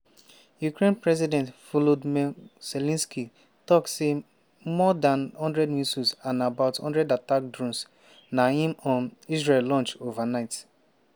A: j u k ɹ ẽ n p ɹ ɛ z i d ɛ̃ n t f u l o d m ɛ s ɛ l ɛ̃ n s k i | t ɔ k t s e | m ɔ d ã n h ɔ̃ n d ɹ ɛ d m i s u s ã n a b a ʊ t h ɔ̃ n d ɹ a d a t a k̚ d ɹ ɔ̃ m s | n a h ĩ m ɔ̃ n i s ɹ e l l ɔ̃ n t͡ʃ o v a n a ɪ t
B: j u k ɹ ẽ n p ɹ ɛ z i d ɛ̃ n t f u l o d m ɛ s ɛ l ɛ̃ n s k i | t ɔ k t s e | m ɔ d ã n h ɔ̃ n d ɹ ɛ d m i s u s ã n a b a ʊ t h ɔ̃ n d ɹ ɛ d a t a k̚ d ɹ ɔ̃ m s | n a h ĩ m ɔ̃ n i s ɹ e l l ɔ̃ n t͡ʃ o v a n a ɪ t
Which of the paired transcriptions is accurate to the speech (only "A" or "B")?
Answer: B